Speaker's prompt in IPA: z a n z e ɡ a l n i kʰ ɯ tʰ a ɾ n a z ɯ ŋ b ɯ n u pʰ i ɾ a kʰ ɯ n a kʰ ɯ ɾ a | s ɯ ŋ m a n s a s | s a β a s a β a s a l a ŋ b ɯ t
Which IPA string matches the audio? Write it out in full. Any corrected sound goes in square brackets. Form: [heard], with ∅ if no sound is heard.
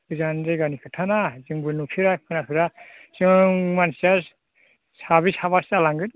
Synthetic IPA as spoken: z a n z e ɡ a [∅] n i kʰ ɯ tʰ a [∅] n a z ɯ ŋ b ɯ n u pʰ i ɾ a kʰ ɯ n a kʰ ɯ ɾ a | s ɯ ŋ m a n s a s | s a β [i] s a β a s a l a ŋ [ɡ] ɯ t